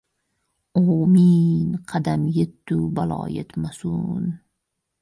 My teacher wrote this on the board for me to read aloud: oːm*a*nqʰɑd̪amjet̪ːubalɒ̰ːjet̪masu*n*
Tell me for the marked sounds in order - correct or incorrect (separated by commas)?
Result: incorrect, correct